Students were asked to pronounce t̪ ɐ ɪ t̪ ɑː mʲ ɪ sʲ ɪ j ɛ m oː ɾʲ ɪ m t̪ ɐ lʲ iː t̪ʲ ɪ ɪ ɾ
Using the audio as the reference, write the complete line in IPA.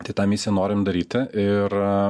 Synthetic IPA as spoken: t̪ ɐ ɪ t̪ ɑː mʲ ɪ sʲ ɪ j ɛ n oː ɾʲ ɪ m d̪ ɐ ɾʲ iː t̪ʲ ɪ ɪ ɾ

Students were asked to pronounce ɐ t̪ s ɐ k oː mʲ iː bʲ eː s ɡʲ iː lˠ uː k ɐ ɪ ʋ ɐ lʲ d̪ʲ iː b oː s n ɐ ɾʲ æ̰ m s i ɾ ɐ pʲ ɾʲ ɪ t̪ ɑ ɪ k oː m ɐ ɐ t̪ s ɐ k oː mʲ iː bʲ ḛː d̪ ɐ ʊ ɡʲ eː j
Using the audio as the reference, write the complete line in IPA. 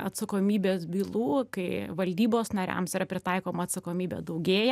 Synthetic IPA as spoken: ɐ t̪ s ɐ k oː mʲ iː bʲ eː s bʲ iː lˠ uː k ɐ ɪ ʋ ɐ lʲ d̪ʲ iː b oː s n ɐ ɾʲ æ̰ m s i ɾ ɐ pʲ ɾʲ ɪ t̪ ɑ ɪ k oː m ɐ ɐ t̪ s ɐ k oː mʲ iː bʲ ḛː d̪ ɐ ʊ ɡʲ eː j

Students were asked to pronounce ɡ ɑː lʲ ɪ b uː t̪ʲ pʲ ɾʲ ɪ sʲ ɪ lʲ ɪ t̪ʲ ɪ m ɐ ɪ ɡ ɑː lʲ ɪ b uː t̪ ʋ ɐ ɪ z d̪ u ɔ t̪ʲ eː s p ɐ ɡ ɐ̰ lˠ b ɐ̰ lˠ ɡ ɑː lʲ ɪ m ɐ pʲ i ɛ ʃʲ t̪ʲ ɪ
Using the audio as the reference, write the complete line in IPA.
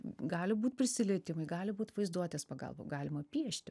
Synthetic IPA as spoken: ɡ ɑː lʲ ɪ b uː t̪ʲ pʲ ɾʲ ɪ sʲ ɪ lʲ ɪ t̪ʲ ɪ m ɐ ɪ ɡ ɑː lʲ ɪ b uː t̪ ʋ ɐ ɪ z d̪ u ɔ t̪ʲ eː s p ɐ ɡ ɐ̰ lˠ b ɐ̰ ɡ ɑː lʲ ɪ m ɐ pʲ i ɛ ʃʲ t̪ʲ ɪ

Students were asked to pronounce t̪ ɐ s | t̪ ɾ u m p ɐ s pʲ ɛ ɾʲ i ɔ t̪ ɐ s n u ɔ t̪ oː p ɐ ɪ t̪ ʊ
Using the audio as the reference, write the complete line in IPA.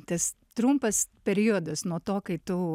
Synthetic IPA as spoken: t̪ ɐ s | t̪ ɾ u m p ɐ s pʲ ɛ ɾʲ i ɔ d̪ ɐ s n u ɔ t̪ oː k ɐ ɪ t̪ ʊ

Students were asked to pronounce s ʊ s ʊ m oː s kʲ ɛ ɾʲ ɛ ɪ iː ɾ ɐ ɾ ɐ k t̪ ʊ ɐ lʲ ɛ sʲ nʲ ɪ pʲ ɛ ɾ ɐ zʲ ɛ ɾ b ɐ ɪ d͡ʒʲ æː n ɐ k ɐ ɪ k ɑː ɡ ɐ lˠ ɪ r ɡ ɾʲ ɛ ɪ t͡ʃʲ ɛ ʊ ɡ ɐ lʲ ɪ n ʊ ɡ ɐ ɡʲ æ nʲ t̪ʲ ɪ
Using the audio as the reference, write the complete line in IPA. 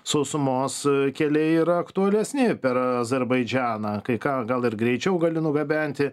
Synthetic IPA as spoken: s ʊ s ʊ m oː s kʲ ɛ lʲ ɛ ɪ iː ɾ ɐ ɐ k t̪ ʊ ɐ lʲ ɛ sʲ nʲ ɪ pʲ ɛ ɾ ɐ zʲ ɛ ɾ b ɐ ɪ d͡ʒʲ æː n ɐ k ɐ ɪ k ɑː ɡ ɐ lˠ ɪ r ɡ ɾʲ ɛ ɪ t͡ʃʲ ɛ ʊ ɡ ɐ lʲ ɪ n ʊ ɡ ɐ bʲ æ nʲ t̪ʲ ɪ

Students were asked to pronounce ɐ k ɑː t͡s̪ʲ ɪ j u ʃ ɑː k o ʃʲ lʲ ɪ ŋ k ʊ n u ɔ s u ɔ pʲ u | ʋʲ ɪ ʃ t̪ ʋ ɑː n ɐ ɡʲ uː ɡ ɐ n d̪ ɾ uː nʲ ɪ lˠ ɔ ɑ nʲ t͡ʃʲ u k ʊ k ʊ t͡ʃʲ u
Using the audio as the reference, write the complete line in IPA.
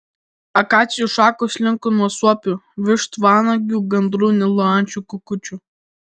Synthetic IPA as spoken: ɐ k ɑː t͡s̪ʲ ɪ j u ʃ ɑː k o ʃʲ lʲ ɪ ŋ k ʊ n u ɔ s u ɔ pʲ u | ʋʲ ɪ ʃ t̪ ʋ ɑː n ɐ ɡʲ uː ɡ ɐ n d̪ ɾ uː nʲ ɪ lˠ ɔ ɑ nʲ t͡ʃʲ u k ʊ k ʊ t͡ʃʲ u

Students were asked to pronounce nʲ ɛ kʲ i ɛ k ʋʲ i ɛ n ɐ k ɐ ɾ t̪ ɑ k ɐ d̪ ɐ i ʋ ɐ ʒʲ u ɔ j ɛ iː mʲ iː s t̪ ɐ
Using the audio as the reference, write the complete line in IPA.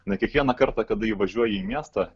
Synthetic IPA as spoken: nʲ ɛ kʲ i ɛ k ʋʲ i ɛ n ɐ k ɐ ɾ t̪ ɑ k ɐ d̪ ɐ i ʋ ɐ ʒʲ u ɔ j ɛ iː mʲ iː s t̪ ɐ

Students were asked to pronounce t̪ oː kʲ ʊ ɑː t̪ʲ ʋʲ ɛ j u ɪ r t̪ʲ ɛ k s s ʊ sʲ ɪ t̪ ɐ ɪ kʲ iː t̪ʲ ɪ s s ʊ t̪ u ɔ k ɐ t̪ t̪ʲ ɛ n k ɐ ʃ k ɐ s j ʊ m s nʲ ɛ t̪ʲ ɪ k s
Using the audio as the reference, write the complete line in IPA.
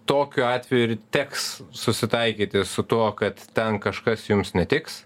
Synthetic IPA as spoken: t̪ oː kʲ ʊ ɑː t̪ʲ ʋʲ ɛ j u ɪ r t̪ʲ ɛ k s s ʊ sʲ ɪ t̪ ɐ ɪ kʲ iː t̪ʲ ɪ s s ʊ t̪ u ɔ k ɐ t̪ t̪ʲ ɛ n k ɐ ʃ k ɐ s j ʊ m s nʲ ɛ t̪ʲ ɪ k s

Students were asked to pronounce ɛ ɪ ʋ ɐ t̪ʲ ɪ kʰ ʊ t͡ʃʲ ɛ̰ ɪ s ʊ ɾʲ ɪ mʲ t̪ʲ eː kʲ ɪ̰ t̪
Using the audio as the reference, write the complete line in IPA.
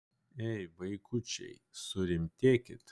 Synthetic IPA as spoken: ɛ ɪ ʋ ɐ ɪ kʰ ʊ t͡ʃʲ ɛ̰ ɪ s ʊ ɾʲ ɪ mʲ t̪ʲ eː kʲ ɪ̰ t̪

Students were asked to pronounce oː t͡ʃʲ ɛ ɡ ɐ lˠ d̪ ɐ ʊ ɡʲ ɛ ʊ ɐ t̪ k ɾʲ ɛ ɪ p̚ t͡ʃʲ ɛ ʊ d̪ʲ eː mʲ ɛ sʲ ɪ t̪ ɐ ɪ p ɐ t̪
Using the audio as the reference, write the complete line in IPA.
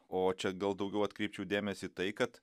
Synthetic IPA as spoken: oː t͡ʃʲ ɛ ɡ ɐ lˠ d̪ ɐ ʊ ɡʲ ɛ ʊ ɐ t̪ k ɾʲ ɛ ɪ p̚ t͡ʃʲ ɛ ʊ d̪ʲ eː mʲ ɛ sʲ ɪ t̪ ɐ ɪ k ɐ t̪

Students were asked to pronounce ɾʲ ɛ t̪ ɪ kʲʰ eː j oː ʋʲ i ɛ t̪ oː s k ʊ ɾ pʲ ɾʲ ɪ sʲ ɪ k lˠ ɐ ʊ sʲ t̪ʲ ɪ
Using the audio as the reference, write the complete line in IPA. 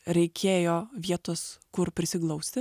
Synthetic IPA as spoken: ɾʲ ɛ ɪ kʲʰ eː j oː ʋʲ i ɛ t̪ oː s k ʊ ɾ pʲ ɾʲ ɪ sʲ ɪ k lˠ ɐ ʊ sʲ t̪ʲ ɪ

